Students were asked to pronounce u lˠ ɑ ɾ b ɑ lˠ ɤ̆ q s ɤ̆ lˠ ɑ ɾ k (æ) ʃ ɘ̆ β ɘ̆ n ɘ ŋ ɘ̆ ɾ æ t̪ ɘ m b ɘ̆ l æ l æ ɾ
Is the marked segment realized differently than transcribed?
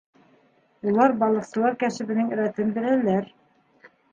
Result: no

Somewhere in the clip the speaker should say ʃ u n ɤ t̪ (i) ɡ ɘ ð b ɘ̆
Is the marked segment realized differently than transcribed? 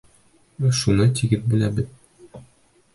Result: no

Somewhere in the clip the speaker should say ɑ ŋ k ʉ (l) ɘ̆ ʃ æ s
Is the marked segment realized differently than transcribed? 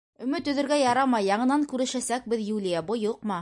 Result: yes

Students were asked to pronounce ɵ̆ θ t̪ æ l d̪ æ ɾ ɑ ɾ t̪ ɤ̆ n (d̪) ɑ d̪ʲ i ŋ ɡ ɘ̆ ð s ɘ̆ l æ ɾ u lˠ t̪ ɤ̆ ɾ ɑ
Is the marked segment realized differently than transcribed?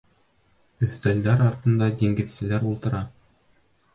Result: no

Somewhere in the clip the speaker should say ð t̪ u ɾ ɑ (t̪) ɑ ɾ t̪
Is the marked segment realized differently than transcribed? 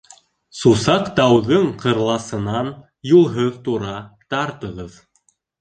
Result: no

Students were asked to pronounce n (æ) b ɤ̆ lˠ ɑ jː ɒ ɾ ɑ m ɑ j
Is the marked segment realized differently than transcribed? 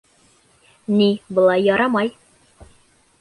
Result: yes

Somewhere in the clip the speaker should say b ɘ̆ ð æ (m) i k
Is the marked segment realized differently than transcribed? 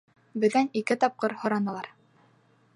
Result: yes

